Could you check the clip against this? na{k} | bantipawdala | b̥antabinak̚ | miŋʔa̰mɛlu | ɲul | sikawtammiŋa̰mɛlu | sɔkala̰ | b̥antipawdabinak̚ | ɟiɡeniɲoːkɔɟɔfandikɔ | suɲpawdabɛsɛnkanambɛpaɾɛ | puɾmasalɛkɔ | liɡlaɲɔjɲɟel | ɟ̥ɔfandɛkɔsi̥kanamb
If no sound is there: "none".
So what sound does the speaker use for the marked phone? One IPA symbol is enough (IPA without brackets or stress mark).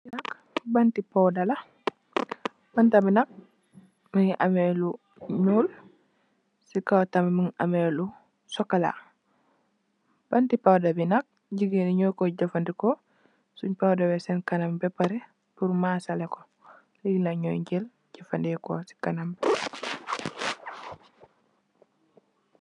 k